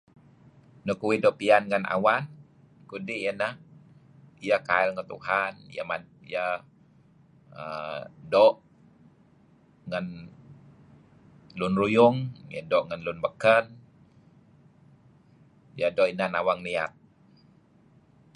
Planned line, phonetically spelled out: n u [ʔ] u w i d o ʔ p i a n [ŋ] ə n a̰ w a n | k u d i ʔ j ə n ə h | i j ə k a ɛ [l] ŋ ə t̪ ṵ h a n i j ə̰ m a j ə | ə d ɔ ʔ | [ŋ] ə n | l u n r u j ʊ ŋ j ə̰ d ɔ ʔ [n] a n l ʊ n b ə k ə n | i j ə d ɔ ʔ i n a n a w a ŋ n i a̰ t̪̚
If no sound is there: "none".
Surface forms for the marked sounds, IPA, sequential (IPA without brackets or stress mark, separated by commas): k, ŋ, l, ŋ, ŋ